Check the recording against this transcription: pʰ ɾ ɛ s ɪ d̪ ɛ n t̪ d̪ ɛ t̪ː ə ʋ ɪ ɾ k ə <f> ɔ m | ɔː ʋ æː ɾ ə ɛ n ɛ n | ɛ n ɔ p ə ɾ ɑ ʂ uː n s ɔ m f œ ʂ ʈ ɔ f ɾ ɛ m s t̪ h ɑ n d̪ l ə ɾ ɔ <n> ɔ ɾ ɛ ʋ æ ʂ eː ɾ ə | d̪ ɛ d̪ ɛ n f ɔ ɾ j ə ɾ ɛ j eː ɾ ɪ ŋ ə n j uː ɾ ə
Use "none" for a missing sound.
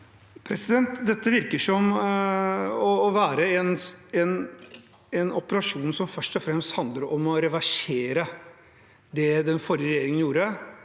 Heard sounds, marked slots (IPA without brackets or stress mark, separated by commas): ʂ, m